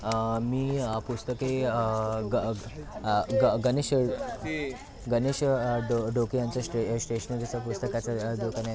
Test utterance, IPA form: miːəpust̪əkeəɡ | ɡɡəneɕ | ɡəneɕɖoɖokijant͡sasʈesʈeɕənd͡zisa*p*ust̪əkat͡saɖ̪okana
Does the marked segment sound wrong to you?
no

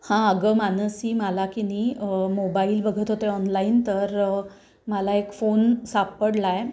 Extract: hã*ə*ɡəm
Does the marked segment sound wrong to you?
no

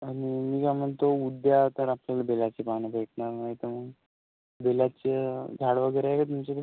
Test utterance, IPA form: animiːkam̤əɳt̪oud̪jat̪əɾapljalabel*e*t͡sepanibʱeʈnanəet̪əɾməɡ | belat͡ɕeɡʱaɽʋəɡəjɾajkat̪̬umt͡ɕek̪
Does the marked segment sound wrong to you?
yes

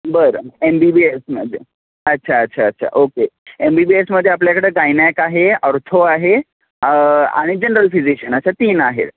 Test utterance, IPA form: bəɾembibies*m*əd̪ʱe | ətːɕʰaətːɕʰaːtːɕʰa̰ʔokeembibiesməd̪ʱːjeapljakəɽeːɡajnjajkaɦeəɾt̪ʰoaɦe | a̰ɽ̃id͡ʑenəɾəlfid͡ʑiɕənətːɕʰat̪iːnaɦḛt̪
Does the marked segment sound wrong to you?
no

